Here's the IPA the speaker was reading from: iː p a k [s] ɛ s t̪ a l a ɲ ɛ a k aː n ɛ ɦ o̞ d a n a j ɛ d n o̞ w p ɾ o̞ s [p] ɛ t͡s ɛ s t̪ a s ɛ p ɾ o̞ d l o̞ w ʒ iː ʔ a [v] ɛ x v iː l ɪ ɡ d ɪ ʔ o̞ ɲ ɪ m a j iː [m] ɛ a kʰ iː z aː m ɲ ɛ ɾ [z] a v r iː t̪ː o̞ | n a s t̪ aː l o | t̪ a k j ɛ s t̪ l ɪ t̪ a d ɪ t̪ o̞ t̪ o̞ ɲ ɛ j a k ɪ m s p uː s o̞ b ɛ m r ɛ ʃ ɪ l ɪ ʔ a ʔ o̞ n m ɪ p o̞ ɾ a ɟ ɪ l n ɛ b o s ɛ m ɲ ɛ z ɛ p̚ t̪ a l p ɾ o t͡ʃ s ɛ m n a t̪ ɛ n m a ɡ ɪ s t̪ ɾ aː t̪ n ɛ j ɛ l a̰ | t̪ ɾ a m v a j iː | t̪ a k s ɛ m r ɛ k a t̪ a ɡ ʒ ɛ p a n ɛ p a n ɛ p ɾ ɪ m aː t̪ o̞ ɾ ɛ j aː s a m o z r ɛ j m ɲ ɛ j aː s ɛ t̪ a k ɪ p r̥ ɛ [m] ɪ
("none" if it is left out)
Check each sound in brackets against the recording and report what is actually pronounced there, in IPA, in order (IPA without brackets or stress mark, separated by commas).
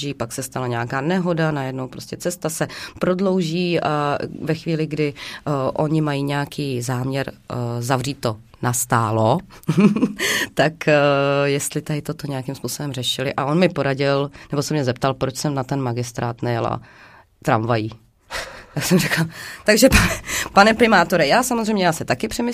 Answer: s, c, v, ɲ, z, m